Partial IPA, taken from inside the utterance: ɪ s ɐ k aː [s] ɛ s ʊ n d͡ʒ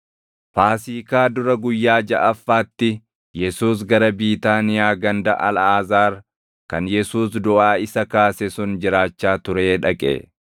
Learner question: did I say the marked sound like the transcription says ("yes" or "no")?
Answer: yes